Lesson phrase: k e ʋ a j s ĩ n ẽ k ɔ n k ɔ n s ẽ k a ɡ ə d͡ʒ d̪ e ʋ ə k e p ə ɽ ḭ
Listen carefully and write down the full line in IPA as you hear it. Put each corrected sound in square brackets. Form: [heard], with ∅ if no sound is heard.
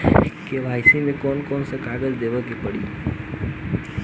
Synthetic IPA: k e ʋ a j s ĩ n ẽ k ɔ n k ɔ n s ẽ k a ɡ ə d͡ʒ d̪ e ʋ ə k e p ə ɽ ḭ